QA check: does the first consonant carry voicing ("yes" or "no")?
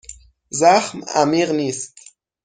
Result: yes